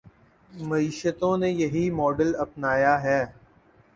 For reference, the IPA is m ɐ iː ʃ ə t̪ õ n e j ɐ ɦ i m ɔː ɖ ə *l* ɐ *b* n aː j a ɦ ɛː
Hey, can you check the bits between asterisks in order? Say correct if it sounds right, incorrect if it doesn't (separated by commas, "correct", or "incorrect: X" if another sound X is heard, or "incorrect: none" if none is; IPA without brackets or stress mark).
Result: correct, incorrect: p